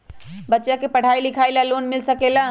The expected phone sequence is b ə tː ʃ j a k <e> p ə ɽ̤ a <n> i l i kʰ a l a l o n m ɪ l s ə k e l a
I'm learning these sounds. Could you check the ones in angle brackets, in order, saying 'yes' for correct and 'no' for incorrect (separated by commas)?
yes, no